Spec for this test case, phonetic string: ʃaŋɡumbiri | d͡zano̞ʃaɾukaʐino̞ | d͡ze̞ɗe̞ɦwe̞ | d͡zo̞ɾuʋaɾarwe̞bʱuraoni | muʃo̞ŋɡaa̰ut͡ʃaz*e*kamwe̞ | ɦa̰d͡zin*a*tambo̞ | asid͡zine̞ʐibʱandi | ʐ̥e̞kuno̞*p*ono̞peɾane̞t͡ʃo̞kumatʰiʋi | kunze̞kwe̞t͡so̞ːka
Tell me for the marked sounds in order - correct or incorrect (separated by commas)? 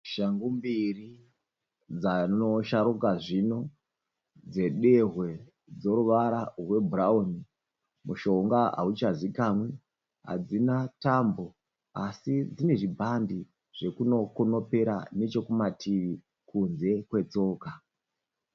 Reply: incorrect, correct, incorrect